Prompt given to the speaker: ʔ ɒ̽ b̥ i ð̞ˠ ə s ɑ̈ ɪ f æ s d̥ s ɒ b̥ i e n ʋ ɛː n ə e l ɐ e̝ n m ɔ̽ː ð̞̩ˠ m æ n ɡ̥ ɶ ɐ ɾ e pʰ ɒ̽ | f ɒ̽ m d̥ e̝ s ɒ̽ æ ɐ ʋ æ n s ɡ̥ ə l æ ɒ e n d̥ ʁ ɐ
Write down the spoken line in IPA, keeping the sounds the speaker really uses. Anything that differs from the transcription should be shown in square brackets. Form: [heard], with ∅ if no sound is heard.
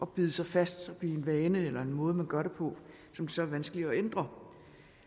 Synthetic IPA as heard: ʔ ɒ̽ b̥ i ð̞ˠ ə s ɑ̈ ɪ f æ s d̥ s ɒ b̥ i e n ʋ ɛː n ə e l ɐ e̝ n m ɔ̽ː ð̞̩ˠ m æ n ɡ̥ ɶ ɐ ɾ e pʰ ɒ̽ | [s] ɒ̽ m d̥ e̝ s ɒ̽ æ ɐ ʋ æ n s ɡ̥ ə l [i] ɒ e n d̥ ʁ ɐ